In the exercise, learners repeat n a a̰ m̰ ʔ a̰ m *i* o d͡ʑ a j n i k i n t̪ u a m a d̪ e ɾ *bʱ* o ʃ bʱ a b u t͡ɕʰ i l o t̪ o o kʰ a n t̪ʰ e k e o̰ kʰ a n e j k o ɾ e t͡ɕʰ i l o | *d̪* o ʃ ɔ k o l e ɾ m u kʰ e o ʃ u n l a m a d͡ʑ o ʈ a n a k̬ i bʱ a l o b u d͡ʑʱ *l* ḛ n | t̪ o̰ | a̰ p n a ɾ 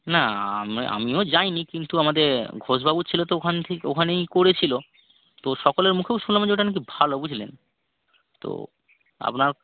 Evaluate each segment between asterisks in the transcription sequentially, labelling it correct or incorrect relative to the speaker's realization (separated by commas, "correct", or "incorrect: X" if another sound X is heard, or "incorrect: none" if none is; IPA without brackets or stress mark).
correct, incorrect: ɡʱ, incorrect: t̪, correct